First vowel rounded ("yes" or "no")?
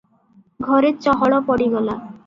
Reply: yes